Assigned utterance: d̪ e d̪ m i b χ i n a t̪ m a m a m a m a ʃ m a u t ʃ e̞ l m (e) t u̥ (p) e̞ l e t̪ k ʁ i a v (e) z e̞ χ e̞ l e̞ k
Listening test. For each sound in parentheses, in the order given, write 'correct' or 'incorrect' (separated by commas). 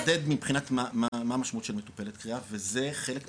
correct, correct, correct